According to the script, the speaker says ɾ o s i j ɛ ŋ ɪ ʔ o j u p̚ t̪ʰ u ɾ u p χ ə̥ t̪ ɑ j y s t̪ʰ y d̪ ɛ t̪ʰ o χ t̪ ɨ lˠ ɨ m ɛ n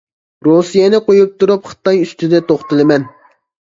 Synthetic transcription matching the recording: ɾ o s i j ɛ n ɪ q o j u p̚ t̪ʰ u ɾ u p χ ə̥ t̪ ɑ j y s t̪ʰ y d̪ ɛ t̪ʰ o χ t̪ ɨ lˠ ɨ m ɛ n